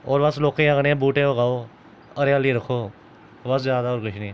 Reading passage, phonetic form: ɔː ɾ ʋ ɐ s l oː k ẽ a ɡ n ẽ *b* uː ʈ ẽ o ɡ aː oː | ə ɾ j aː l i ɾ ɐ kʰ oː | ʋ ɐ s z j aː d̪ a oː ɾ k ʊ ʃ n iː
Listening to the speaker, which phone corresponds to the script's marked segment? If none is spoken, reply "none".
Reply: b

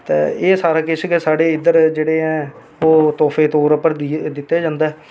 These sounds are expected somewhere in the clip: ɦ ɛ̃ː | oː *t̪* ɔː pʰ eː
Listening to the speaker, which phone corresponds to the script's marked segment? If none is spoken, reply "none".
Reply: t̪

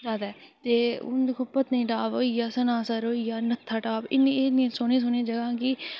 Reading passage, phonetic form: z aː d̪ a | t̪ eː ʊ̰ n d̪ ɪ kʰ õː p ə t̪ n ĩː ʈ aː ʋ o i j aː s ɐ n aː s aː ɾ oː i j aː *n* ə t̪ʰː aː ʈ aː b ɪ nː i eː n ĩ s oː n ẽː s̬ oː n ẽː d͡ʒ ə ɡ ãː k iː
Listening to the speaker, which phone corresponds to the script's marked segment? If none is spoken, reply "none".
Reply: n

